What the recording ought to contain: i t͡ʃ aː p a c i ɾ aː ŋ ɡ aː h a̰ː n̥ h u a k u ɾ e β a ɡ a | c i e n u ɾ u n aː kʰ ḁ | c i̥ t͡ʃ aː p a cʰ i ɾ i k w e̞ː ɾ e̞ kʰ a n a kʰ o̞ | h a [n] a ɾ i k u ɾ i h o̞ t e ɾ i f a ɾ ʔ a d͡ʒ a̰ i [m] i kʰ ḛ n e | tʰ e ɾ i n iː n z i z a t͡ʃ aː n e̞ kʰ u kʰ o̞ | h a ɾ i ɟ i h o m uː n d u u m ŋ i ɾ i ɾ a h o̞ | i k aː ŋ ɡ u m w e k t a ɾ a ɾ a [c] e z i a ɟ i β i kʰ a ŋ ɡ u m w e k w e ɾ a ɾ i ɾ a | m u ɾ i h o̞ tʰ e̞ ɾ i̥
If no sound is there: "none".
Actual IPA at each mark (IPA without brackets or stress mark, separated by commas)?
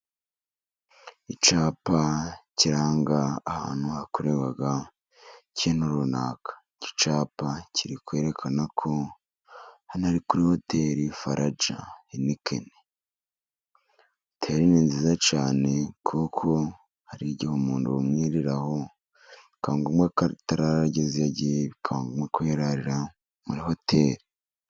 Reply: n, n, ɟ